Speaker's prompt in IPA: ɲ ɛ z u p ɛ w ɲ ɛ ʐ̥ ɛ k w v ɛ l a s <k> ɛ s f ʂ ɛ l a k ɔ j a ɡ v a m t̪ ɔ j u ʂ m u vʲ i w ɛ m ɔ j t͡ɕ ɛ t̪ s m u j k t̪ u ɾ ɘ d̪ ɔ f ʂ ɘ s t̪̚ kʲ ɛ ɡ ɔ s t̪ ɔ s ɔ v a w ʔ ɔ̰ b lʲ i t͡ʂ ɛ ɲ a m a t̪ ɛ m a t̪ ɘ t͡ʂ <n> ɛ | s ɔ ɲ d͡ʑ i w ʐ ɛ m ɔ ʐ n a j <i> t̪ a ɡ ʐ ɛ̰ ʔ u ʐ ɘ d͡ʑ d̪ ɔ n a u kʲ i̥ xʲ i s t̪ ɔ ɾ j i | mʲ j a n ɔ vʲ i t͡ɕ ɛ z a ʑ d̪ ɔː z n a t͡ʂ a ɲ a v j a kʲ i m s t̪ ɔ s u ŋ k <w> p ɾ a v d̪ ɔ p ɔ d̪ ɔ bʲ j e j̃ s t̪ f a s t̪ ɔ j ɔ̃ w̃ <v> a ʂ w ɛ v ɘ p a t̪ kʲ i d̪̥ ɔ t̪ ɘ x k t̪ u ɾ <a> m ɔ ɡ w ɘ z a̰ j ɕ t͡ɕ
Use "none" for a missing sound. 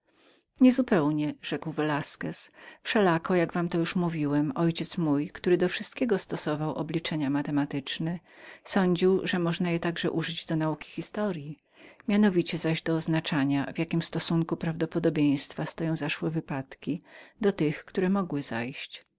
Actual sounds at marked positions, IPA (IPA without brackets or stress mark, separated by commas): k, n, ɛ, u, z, ɛ